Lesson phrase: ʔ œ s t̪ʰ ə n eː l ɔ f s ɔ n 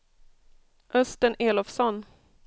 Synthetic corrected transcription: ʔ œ s t̪ ə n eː l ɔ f s ɔ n